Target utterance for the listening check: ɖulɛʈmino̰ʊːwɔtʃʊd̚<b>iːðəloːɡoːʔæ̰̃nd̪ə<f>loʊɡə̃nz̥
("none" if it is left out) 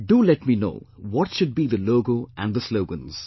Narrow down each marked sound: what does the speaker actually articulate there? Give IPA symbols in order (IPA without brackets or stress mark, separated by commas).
b, s